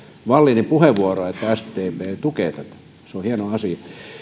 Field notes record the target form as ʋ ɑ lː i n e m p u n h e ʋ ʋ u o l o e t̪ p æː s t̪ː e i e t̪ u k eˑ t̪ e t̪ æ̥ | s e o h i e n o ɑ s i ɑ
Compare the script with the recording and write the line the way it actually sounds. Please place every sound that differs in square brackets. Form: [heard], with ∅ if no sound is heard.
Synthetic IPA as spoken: ʋ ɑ lː i n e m p u [∅] h e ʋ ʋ u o [r] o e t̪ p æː s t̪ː e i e t̪ u k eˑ t̪ [æ] t̪ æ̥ | s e o h i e n o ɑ s i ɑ